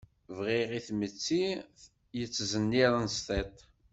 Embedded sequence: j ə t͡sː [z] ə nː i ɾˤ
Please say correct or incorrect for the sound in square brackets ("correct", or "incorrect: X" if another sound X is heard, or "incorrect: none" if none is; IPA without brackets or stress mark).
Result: correct